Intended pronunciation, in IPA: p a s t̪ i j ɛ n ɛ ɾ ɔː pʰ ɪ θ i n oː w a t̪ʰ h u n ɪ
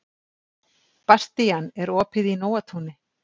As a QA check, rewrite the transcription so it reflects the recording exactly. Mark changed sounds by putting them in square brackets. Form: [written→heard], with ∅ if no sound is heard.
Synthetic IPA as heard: p a s t̪ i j [ɛ→a] n ɛ ɾ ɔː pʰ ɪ [θ→ð] i n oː w a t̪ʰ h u n ɪ